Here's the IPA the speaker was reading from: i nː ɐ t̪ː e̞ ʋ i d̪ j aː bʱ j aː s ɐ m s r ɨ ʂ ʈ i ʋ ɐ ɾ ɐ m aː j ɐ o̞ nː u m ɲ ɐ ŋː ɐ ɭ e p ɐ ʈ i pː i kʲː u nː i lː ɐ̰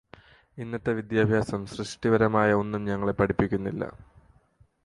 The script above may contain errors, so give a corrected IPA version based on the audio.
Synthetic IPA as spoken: i nː ɐ t̪ː e̞ ʋ i d̪ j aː bʱ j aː s ɐ m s r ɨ ʂ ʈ i ʋ ɐ ɾ ɐ m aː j ɐ o̞ nː u m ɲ ɐ ŋː ɐ ɭ e p ɐ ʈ i pː i kʲː u nː i lː ɐ̰